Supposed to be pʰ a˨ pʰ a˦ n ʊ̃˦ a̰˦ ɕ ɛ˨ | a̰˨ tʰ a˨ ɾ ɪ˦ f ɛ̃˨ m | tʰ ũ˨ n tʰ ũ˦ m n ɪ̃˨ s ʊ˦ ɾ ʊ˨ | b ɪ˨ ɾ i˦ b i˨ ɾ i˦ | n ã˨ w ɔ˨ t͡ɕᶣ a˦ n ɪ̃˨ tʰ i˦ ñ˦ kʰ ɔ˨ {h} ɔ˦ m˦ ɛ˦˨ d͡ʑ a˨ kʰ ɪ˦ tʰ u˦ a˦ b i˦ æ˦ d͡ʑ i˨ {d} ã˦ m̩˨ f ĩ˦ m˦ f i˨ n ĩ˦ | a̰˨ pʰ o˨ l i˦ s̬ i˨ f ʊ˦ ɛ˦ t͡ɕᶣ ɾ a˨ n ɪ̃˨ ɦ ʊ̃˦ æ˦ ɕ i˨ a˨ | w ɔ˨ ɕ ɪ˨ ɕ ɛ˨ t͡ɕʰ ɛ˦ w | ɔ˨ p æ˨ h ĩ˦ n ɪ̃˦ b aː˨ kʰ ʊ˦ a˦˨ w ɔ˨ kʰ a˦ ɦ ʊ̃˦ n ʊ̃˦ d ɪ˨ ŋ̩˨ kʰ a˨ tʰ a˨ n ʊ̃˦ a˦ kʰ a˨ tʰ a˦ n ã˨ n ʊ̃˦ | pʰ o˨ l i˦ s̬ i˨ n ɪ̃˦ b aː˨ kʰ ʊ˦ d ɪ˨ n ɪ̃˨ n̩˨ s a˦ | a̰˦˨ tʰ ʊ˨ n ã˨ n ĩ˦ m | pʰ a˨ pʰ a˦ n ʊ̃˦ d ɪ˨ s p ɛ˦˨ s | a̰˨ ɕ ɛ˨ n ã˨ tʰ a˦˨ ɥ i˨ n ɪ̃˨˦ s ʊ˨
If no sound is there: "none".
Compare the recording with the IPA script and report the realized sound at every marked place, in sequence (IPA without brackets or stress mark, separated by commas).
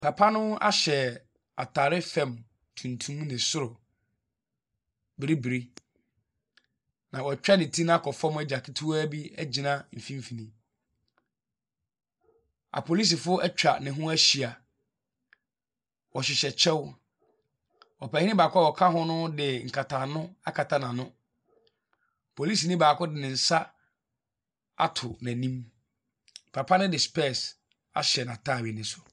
f, n